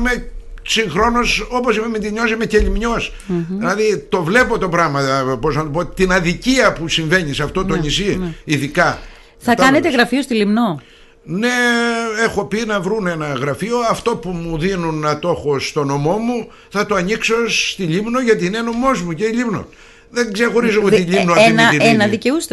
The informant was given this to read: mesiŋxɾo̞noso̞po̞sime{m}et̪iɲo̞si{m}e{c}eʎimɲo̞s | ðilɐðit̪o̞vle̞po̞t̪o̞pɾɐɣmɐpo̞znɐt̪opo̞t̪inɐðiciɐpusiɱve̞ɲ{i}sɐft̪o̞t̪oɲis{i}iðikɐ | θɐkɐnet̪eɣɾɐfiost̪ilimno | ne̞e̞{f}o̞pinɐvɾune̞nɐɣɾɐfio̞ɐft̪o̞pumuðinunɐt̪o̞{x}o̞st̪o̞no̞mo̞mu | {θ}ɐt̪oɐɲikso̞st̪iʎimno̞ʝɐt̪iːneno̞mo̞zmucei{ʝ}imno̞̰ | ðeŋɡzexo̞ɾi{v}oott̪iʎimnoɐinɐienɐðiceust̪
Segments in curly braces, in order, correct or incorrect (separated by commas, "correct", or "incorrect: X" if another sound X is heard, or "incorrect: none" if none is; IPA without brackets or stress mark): correct, correct, correct, correct, correct, incorrect: x, correct, correct, incorrect: ʎ, incorrect: z